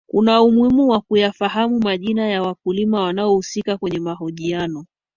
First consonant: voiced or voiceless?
voiceless